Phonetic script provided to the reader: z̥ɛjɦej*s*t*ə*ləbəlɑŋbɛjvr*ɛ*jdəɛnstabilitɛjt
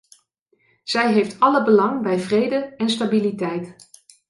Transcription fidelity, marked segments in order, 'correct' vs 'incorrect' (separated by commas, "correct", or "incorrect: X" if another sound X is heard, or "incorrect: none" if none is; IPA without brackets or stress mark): incorrect: f, incorrect: ɑ, incorrect: e